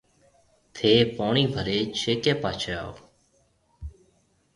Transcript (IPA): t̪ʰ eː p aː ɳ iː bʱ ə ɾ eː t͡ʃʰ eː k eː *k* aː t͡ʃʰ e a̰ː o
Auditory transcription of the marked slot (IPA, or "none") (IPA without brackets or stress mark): p